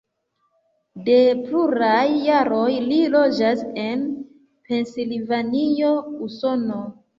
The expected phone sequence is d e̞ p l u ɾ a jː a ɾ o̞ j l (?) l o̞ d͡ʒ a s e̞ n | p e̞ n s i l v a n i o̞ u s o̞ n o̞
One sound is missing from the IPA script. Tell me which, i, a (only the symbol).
i